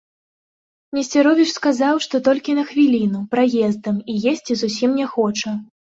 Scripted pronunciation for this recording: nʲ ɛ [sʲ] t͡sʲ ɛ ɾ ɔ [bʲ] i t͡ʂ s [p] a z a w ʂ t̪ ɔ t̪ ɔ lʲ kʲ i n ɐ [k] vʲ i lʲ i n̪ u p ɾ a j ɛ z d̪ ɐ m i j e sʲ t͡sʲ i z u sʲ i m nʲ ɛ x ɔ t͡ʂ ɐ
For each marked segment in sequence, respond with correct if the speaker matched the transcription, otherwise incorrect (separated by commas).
correct, incorrect, incorrect, incorrect